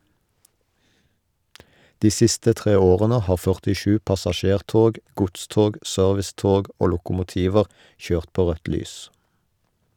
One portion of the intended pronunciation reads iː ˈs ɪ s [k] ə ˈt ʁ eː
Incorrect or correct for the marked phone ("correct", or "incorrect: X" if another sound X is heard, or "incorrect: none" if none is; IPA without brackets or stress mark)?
incorrect: t